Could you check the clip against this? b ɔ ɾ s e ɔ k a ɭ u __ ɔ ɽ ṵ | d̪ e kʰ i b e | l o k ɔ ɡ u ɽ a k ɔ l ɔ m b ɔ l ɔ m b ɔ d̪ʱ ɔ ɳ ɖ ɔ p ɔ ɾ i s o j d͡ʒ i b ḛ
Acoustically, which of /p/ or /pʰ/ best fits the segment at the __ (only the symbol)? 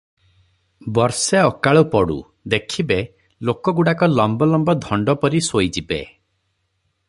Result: p